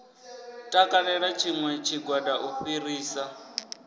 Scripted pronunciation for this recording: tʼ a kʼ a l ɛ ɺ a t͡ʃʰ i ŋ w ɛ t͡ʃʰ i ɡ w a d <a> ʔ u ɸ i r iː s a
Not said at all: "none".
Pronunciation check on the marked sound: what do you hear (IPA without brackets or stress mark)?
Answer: a